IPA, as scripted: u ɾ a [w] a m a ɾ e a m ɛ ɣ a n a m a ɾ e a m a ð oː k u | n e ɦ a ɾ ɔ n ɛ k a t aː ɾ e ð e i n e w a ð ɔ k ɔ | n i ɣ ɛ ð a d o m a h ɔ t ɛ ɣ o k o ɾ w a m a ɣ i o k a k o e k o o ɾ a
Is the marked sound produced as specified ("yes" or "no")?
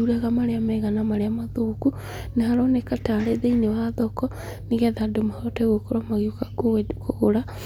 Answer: no